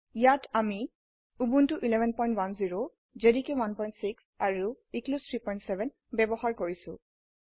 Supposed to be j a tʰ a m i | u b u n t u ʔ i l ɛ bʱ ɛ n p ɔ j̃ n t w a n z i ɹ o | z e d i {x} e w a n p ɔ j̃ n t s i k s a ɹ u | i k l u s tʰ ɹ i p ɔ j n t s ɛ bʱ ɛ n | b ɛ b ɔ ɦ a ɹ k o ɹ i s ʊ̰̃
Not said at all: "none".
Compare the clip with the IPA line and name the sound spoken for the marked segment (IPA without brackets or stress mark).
k